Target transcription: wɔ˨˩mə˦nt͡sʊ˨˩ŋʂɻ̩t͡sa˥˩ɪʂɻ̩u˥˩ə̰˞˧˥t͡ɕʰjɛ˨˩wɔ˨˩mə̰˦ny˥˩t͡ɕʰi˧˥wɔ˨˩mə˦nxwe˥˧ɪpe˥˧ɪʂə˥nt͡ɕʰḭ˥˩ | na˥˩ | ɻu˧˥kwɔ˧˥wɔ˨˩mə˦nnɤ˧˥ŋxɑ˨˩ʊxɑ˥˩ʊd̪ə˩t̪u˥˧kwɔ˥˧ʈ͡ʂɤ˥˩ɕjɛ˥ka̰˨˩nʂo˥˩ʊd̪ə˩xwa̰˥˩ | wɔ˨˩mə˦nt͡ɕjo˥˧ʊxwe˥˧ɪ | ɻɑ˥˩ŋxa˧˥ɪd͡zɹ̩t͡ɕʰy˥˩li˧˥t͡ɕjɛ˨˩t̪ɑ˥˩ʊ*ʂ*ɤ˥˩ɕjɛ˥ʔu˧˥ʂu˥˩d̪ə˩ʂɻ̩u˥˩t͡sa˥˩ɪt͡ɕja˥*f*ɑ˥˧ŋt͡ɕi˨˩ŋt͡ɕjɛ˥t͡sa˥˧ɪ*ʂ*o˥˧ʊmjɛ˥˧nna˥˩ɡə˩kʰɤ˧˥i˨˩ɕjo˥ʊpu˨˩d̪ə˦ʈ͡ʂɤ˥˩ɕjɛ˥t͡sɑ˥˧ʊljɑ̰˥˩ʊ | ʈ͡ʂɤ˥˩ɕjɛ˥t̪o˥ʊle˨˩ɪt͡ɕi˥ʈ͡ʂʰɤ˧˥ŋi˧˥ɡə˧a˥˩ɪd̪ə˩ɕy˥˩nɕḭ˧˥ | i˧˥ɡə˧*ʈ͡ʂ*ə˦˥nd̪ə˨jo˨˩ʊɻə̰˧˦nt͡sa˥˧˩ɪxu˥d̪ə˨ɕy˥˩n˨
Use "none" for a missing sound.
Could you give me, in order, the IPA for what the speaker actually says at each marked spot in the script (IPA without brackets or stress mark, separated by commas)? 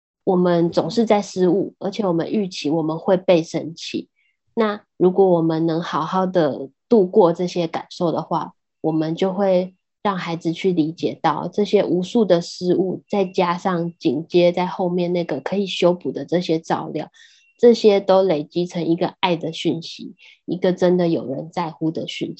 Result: ʈ͡ʂ, ʂ, x, ʈ͡ʂ